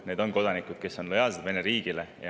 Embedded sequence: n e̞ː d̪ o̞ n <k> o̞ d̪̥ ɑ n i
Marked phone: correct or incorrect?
correct